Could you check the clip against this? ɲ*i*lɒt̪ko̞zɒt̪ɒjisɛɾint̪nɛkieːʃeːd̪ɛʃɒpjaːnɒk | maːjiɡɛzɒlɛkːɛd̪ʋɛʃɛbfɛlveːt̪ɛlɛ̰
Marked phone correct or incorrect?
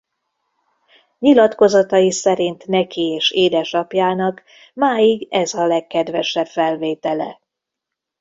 correct